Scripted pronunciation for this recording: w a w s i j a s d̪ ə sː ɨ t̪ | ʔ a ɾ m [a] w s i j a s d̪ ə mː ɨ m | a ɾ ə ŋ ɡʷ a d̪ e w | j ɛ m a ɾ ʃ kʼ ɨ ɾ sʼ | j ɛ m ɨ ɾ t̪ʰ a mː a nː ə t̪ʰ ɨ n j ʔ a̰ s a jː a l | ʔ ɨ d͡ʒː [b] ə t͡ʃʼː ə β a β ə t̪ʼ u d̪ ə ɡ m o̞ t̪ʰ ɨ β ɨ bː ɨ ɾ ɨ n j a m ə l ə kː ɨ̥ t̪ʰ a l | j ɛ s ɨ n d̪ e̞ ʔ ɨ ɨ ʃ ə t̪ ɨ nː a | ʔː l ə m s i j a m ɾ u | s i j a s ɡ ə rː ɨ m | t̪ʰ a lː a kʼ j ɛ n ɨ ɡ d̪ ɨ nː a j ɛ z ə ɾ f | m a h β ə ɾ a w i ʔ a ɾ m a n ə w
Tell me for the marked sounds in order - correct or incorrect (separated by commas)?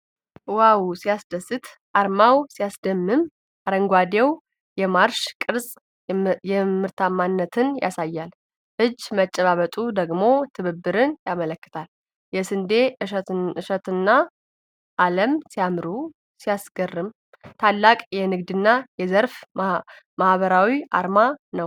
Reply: correct, incorrect